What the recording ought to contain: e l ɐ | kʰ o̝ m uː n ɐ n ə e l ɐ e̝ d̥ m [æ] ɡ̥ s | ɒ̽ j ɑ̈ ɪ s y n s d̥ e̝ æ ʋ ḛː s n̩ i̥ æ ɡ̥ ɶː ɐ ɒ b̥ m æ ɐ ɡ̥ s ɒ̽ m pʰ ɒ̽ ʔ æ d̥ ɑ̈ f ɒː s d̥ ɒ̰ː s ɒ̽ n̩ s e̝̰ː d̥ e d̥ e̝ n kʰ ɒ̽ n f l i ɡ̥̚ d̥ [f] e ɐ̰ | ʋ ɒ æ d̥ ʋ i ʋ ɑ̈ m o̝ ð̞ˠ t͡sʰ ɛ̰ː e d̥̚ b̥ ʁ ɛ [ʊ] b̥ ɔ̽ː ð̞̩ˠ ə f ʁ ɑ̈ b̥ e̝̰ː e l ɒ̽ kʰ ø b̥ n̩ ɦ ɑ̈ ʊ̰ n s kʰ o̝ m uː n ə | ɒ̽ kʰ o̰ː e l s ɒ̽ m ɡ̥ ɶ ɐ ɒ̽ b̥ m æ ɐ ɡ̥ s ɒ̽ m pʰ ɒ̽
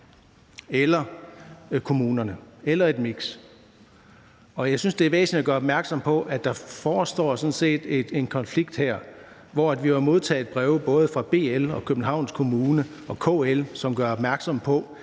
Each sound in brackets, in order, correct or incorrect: incorrect, incorrect, correct

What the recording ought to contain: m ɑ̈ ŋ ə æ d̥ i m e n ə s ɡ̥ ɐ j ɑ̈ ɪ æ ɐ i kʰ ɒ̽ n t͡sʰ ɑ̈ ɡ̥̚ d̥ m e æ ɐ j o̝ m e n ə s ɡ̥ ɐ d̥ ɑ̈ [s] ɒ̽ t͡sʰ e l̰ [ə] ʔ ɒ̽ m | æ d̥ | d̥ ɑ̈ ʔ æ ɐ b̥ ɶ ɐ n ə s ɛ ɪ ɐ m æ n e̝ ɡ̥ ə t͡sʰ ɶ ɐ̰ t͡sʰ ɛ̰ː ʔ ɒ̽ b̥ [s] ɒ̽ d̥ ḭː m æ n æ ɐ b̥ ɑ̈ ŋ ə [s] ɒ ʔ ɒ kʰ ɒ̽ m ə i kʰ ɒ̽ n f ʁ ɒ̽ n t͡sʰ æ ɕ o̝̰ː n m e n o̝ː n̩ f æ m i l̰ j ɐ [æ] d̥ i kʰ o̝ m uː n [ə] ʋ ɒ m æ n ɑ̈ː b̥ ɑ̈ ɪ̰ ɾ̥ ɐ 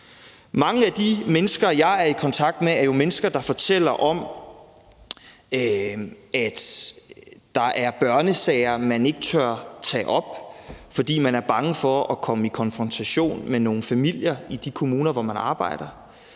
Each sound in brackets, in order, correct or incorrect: incorrect, incorrect, incorrect, incorrect, incorrect, incorrect

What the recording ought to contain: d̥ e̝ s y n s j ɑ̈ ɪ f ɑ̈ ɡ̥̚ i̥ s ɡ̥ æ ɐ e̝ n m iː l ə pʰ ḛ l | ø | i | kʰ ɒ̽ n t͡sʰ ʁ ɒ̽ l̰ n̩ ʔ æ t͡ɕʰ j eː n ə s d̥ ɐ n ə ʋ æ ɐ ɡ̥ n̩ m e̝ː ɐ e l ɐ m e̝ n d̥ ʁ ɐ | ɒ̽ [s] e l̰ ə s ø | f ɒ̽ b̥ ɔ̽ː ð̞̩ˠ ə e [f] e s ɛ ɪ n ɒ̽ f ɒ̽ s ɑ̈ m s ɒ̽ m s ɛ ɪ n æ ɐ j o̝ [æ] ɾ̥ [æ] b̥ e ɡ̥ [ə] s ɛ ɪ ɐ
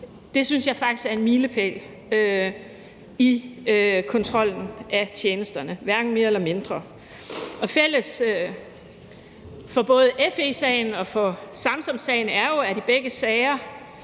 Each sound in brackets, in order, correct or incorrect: incorrect, correct, correct, incorrect, correct

